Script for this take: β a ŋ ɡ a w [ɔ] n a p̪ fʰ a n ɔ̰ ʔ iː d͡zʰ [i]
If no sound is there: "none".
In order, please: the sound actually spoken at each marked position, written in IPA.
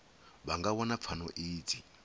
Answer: ɔ, i

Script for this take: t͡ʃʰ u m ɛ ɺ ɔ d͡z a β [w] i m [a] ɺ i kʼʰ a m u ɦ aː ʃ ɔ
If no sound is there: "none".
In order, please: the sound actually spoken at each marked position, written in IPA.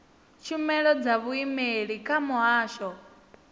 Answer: u, e

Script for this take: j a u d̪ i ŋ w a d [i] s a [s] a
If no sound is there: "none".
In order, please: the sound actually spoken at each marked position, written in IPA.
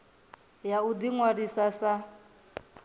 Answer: i, s

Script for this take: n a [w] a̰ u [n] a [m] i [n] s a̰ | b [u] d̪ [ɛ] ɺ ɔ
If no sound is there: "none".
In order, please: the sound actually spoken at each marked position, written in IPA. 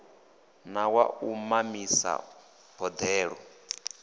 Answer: w, m, m, none, ɔ, ɛː

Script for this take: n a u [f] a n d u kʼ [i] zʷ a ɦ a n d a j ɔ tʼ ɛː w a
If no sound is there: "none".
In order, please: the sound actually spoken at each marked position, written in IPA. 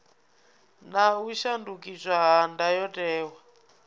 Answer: ʃ, i

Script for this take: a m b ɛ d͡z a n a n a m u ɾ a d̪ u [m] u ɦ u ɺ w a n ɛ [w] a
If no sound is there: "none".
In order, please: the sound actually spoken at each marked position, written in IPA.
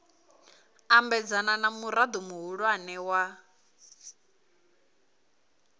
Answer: m, w

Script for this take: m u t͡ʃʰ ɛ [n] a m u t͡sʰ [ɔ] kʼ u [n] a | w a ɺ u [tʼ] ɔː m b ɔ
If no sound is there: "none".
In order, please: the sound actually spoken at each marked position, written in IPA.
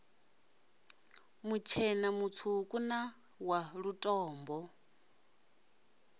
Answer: n, u, n, tʼ

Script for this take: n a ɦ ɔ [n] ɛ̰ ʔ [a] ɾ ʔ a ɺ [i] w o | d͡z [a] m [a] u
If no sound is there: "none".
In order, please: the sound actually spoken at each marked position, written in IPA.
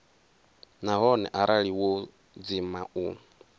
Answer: n, a, i, i, a

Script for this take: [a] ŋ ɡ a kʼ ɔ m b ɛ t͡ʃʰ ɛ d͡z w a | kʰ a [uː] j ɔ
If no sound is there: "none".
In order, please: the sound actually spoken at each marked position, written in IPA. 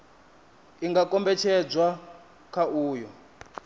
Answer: i, uː

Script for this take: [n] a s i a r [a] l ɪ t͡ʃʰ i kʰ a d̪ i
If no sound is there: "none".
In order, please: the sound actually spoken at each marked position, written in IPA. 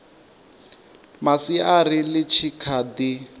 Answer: m, i

